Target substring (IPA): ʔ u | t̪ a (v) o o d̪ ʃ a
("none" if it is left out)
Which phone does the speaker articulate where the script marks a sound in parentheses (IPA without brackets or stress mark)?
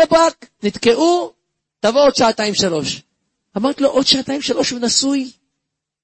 v